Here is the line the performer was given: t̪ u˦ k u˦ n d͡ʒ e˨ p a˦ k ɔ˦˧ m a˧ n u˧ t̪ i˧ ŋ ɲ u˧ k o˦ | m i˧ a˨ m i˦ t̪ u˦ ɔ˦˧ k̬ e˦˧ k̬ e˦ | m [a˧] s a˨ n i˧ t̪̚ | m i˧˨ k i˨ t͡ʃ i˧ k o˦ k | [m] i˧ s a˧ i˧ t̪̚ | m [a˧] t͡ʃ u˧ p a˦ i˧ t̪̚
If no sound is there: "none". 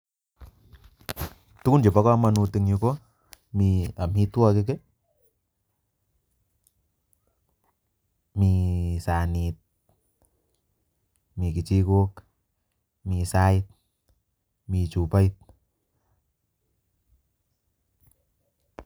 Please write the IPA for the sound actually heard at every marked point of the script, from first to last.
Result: i˧, m, i˧

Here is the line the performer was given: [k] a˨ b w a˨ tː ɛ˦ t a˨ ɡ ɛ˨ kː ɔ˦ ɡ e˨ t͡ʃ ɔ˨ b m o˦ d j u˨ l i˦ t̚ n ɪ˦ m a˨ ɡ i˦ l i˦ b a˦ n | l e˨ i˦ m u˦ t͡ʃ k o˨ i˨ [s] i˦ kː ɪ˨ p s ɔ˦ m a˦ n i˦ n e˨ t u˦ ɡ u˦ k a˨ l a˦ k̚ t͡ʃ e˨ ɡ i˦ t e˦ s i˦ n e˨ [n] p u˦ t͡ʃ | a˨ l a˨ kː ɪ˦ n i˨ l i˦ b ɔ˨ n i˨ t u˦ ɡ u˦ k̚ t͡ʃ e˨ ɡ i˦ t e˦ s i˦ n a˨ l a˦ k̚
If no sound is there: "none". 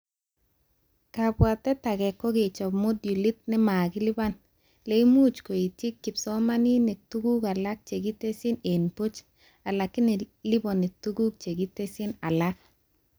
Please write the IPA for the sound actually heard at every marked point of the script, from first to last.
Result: k, t, n

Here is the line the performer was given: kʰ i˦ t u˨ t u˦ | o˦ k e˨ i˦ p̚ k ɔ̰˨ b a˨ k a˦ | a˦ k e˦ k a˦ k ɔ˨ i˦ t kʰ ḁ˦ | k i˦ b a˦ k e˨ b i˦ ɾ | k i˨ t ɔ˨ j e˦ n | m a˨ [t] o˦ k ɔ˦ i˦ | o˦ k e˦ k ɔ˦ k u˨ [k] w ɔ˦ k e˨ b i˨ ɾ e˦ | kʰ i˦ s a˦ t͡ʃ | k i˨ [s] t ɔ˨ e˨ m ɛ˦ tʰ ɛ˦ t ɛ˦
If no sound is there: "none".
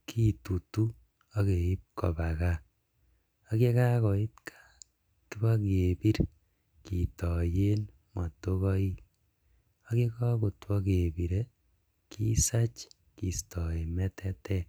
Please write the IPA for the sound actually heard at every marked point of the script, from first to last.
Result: t, t, s

